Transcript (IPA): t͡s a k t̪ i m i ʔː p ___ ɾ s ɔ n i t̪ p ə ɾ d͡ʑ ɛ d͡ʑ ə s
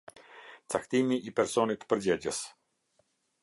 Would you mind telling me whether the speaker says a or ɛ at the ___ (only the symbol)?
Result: ɛ